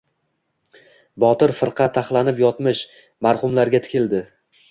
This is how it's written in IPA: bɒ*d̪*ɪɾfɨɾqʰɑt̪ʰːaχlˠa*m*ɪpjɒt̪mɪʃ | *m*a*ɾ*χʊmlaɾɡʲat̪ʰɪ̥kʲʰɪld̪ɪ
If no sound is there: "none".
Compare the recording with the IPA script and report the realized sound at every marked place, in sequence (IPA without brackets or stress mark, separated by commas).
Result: t̪, n, m, ɾ